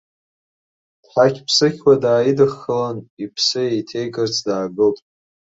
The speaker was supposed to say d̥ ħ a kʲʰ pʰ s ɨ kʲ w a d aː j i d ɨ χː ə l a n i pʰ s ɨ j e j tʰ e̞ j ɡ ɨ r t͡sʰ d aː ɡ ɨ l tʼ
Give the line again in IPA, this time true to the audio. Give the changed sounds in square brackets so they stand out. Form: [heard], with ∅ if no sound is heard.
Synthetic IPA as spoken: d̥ ħ a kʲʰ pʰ s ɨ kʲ w a d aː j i d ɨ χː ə l a n i pʰ s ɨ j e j tʰ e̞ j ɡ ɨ r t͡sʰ d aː ɡ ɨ l tʼ